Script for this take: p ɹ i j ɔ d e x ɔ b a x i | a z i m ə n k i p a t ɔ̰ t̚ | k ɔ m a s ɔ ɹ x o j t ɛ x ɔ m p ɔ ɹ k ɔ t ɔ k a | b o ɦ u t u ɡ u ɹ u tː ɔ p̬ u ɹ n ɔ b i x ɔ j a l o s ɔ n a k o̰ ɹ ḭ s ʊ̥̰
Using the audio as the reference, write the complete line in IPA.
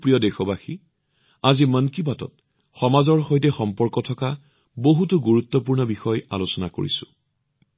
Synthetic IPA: p ɹ i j ɔ d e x ɔ b a x i | a z i m ə n k i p a t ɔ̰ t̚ | x ɔ m a z ɔ ɹ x o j t ɛ x ɔ m p ɔ ɹ k ɔ tʰ ɔ k a | b o ɦ u t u ɡ u ɹ u tː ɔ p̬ u ɹ n ɔ b i x ɔ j a l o s ɔ n a k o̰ ɹ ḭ s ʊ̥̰

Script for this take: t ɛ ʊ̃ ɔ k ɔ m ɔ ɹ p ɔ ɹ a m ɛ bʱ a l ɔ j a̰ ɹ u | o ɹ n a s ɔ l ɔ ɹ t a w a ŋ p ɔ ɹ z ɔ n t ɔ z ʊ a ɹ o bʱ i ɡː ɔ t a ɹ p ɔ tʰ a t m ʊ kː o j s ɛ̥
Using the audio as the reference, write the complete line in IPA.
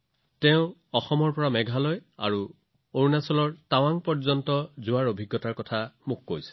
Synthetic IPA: t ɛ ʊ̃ ɔ x ɔ m ɔ ɹ p ɔ ɹ a m ɛ ɡʱ a l ɔ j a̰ ɹ u | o ɹ n a s ɔ l ɔ ɹ t a w a ŋ p ɔ ɹ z ɔ n t ɔ z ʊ a ɹ o bʱ i ɡː ɔ t a ɹ k ɔ tʰ a m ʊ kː o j s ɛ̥

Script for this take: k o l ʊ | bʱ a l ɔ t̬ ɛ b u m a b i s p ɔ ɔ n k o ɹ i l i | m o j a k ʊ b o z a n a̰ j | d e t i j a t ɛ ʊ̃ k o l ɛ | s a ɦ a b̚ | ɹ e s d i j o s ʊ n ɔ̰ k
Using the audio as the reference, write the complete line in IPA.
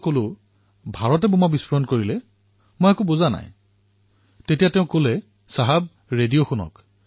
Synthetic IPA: k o l ʊ | bʱ a ɹ ɔ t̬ ɛ b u m a b i s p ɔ ɔ n k o ɹ i l ɛ | m o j a k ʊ b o z a n a̰ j | t e t i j a t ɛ ʊ̃ k o l ɛ | s a ɦ a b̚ | ɹ e d i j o x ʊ n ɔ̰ k

